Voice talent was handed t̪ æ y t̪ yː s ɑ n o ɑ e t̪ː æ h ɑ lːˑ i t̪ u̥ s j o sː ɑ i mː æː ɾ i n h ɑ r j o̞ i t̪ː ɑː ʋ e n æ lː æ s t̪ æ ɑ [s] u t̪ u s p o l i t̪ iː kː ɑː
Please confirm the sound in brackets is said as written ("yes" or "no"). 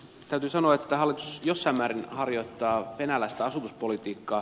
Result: yes